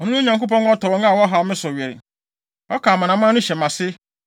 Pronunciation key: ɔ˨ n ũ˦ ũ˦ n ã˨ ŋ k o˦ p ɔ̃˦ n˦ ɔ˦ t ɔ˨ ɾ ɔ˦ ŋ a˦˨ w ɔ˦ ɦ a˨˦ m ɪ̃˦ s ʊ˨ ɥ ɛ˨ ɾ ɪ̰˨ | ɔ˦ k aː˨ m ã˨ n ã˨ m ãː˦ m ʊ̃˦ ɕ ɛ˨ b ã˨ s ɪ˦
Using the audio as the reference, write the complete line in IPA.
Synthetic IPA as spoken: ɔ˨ n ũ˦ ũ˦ ɲ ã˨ ŋ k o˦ p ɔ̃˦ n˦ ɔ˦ t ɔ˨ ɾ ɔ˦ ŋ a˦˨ w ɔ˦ ɦ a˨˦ m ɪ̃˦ s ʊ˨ ɥ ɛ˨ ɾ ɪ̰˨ | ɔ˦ k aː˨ m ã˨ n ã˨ m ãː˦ n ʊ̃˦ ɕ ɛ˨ m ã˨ s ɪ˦